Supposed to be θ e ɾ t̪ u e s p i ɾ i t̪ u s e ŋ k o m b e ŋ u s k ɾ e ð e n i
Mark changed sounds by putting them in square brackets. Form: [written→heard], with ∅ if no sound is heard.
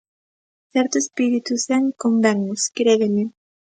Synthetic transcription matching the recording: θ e ɾ t̪ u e s p i ɾ i t̪ u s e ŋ k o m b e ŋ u s k ɾ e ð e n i

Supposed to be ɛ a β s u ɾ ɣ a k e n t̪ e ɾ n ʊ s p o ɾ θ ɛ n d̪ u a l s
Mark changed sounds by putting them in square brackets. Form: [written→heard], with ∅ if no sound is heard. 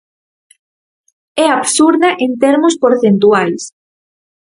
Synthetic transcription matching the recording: ɛ a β s u ɾ [ɣ→ð] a [k→ʔ] e n t̪ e ɾ [n→m] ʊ s p o ɾ θ [ɛ→e] n [d̪→t̪] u a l s

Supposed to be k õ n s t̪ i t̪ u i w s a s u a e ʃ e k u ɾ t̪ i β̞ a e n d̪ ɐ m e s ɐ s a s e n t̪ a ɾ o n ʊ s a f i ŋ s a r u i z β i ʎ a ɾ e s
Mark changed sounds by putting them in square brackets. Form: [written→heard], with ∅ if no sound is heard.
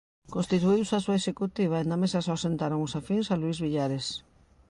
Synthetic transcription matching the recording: k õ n s t̪ i t̪ u i w s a s u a e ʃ e k u [ɾ→∅] t̪ i β̞ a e n d̪ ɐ m e s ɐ s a s e n t̪ a ɾ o [n→ŋ] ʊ s a f i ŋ s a [r→l] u i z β i ʎ a ɾ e s

